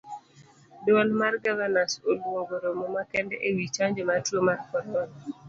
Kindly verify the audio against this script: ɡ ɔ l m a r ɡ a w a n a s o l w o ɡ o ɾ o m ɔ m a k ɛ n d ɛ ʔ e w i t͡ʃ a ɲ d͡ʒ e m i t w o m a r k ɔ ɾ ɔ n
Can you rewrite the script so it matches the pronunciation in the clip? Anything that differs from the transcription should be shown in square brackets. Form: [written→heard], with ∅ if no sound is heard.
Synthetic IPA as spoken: [ɡ→d] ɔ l m a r ɡ a [w→v] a n a s o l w o ɡ o ɾ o m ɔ m a k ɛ n d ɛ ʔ e w i t͡ʃ a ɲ d͡ʒ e m [i→a] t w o m a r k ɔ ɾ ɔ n

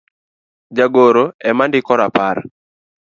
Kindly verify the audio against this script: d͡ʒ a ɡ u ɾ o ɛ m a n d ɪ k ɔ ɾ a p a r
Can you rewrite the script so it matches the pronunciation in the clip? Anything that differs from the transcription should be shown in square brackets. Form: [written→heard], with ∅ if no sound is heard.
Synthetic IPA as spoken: d͡ʒ a ɡ [u→o] ɾ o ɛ m a n d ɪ k ɔ ɾ a p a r

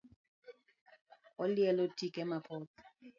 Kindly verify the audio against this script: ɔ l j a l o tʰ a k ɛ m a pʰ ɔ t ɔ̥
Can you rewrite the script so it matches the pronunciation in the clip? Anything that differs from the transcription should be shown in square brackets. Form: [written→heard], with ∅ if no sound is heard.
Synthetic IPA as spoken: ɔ l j [a→ɛ] l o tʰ [a→i] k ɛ m a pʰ ɔ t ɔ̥

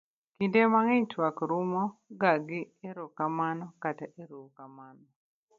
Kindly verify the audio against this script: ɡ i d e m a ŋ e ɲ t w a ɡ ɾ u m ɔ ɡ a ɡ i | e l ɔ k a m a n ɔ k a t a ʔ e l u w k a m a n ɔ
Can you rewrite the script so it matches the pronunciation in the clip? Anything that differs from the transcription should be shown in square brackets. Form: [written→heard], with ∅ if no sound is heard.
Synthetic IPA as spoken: [ɡ→k] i d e m a ŋ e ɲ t w a [ɡ→k] ɾ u m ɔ ɡ a ɡ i | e [l→ɾ] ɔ k a m a n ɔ k a t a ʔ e [l→ɾ] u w k a m a n ɔ

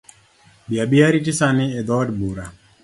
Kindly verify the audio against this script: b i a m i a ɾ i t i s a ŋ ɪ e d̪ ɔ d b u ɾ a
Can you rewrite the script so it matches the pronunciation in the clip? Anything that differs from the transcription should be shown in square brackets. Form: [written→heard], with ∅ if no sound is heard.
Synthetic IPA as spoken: b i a [m→b] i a ɾ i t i s a [ŋ→n] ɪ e d̪ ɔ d b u ɾ a

